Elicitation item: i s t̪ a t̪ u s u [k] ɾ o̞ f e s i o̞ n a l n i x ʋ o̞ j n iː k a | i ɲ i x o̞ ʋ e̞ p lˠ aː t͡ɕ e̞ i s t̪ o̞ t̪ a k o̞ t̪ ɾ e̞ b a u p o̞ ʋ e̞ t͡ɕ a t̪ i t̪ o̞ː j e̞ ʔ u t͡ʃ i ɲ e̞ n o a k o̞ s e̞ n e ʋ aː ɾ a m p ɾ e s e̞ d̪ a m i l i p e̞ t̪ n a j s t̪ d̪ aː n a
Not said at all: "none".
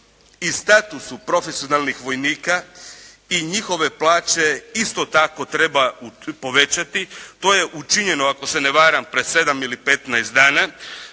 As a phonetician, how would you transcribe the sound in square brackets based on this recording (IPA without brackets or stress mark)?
p